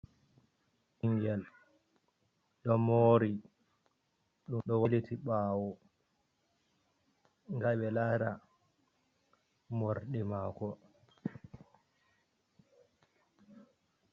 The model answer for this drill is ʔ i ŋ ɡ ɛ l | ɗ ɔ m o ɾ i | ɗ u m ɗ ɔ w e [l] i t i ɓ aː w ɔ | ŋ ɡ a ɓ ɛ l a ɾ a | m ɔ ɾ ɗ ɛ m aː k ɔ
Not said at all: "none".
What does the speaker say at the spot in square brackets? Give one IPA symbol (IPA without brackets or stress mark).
l